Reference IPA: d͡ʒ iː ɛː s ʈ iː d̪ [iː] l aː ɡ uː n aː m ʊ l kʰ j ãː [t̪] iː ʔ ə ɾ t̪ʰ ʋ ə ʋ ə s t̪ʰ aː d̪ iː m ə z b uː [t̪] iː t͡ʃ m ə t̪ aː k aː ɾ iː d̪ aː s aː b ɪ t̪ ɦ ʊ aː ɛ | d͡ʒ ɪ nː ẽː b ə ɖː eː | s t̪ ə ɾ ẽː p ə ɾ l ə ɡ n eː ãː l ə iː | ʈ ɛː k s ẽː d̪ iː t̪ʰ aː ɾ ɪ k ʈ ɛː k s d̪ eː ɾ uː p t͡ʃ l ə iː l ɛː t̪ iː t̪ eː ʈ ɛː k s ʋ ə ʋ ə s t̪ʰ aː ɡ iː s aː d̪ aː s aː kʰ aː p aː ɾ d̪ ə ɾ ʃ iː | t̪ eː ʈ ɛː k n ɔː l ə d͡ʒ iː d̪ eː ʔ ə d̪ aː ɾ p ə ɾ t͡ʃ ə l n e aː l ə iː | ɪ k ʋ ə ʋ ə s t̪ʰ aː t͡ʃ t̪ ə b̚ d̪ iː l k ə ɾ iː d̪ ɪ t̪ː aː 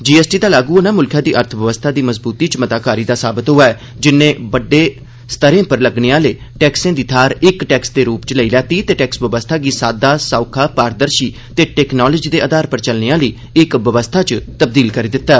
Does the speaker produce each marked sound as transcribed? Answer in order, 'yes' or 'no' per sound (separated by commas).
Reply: no, no, yes